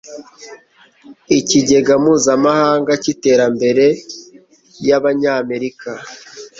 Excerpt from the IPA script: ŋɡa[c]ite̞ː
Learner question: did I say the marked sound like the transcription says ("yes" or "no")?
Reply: yes